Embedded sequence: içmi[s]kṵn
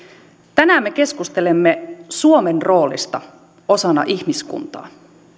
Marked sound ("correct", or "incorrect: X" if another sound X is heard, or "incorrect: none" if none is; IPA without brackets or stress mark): correct